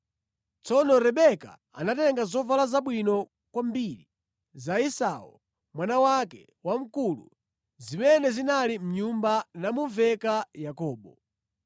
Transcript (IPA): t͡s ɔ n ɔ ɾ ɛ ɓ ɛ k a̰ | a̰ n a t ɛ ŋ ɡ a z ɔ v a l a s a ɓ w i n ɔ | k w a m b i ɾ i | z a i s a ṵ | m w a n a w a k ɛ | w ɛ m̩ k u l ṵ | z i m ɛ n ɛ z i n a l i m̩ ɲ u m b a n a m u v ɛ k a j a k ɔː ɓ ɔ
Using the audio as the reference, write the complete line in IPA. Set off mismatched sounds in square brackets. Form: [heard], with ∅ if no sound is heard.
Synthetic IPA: t͡s ɔ n ɔ ɾ ɛ ɓ ɛ k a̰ | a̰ n a t ɛ ŋ ɡ a z ɔ v a l a [z] a ɓ w i n ɔ | k w a m b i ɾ i | z a i s a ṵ | m w a n a w a k ɛ | w [a] m̩ k u l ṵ | z i m ɛ n ɛ z i n a l i m̩ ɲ u m b a n a m u v ɛ k a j a k ɔː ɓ ɔ